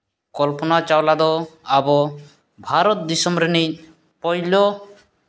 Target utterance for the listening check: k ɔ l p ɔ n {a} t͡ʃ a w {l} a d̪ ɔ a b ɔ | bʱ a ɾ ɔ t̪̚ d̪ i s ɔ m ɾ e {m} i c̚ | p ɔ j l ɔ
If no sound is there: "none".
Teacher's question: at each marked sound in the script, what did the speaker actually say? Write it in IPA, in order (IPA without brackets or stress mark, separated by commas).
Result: a, l, n